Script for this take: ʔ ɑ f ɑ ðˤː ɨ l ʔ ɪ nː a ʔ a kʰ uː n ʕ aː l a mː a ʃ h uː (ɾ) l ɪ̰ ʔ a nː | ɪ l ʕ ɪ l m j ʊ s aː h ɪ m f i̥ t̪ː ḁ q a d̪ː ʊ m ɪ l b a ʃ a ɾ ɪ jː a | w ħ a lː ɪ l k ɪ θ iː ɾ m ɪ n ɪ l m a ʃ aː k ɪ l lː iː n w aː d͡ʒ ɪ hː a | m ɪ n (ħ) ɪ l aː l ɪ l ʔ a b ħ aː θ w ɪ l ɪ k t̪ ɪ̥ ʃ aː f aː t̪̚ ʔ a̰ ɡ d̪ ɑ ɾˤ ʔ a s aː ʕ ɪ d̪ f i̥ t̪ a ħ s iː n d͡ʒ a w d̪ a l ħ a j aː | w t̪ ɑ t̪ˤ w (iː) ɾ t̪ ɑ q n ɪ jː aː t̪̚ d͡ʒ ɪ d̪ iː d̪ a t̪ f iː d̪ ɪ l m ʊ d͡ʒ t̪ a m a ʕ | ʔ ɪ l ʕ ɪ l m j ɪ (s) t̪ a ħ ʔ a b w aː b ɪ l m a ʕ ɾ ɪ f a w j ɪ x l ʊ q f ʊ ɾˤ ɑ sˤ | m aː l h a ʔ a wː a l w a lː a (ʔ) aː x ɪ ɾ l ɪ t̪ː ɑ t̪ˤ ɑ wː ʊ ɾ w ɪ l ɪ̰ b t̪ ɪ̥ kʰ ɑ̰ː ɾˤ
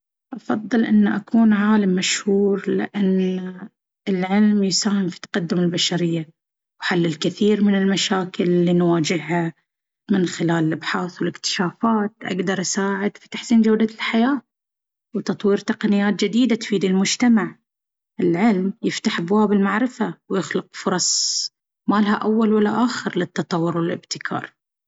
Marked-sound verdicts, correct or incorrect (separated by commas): correct, incorrect, correct, incorrect, correct